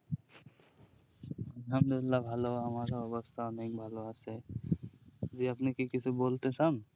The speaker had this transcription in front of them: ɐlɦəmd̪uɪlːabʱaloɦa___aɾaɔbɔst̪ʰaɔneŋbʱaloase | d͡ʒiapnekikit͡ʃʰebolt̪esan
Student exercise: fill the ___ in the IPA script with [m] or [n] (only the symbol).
m